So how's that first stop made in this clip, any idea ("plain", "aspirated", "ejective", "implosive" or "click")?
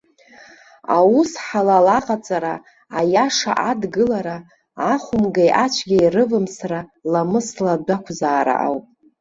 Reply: ejective